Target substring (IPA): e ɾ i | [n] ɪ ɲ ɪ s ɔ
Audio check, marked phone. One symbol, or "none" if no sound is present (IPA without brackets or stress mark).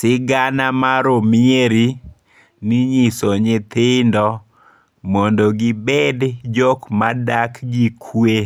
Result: n